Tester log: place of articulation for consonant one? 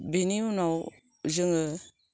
labial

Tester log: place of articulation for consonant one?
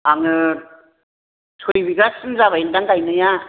velar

